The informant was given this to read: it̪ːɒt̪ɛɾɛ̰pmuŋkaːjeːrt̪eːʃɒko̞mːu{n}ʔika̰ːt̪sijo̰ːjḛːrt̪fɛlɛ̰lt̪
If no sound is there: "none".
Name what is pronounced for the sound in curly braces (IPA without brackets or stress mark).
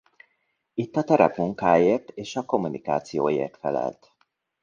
n